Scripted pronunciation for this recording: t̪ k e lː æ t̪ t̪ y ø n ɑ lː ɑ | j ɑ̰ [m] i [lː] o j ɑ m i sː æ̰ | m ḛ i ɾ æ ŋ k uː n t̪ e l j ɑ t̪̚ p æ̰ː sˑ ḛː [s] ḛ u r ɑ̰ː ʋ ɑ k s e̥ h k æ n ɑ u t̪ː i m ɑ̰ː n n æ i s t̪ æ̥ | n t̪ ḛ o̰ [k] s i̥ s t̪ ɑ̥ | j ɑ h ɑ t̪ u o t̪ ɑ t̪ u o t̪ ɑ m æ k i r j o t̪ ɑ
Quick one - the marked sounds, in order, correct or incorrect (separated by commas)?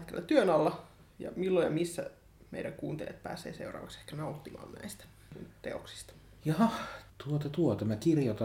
correct, correct, correct, correct